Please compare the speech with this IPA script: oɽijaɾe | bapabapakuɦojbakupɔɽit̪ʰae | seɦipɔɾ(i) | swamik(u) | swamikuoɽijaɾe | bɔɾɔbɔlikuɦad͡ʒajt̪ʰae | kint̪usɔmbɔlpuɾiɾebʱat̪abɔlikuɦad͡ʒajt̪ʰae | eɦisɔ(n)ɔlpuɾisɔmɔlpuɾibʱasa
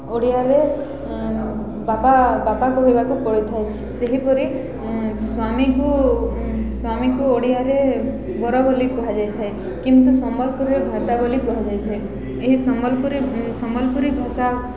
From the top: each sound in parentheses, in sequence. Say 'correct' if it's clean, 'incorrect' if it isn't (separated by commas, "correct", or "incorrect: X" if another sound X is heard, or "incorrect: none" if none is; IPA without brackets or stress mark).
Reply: correct, correct, incorrect: m